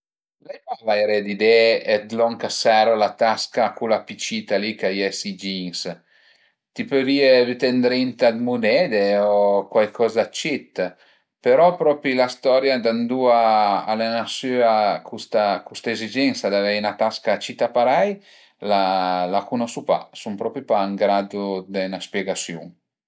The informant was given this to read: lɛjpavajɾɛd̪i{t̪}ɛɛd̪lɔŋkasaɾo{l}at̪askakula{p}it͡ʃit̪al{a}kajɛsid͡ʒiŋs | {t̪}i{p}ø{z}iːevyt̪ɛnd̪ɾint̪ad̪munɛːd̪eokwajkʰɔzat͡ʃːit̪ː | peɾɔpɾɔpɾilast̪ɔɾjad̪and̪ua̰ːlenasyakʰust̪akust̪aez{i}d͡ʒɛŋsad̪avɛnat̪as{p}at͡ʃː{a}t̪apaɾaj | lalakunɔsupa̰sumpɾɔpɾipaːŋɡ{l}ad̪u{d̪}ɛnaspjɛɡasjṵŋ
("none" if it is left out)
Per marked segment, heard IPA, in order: d̪, l, p, i, t̪, p, v, i, k, i, ɾ, d̪

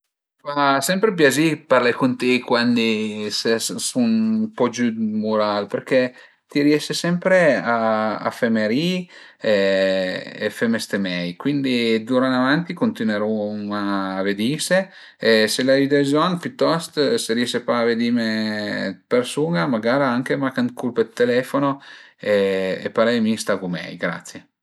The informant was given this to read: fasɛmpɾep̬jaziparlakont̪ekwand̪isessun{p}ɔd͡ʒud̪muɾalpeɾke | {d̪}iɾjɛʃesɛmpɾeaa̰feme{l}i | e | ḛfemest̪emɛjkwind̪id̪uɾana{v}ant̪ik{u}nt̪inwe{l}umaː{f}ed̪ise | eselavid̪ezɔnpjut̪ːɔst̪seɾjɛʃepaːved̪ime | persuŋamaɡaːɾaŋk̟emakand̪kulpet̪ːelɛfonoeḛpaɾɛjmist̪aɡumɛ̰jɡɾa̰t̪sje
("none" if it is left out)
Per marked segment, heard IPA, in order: p, t̪, ɾ, v, o, ɾ, v

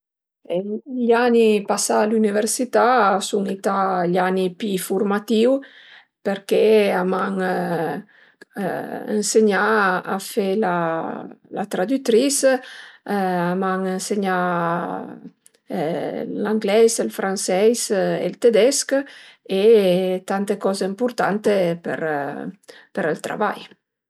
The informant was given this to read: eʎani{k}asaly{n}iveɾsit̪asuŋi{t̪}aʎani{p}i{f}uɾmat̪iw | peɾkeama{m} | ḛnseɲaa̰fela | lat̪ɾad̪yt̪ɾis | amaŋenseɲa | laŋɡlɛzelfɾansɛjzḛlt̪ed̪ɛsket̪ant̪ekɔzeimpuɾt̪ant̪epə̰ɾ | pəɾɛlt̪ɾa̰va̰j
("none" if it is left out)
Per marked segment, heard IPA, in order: p, n, t̪, p, f, ŋ

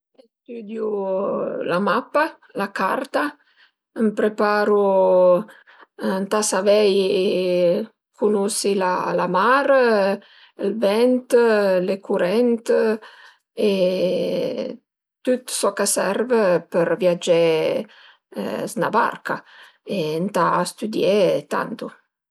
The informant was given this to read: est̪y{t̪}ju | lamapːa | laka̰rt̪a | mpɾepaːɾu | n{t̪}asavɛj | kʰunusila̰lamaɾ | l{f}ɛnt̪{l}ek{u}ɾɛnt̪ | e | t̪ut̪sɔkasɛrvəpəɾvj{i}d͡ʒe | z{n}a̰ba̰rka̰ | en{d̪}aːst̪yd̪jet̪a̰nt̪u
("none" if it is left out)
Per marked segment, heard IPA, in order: d̪, t̪, v, l, u, a, n, t̪

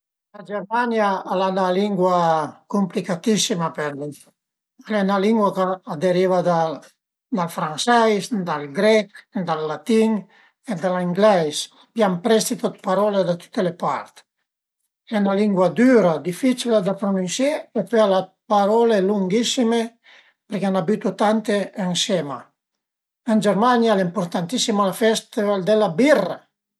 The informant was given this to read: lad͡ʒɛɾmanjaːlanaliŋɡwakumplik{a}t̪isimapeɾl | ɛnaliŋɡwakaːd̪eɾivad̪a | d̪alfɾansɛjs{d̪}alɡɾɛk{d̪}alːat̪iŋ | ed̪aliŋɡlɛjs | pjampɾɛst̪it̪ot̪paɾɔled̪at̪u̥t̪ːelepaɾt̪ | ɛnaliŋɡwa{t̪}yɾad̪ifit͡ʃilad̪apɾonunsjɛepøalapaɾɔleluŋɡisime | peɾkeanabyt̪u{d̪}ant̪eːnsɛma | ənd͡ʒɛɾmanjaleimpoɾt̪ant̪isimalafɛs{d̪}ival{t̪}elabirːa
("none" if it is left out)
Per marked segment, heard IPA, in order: a, d̪, d̪, d̪, t̪, t̪, d̪

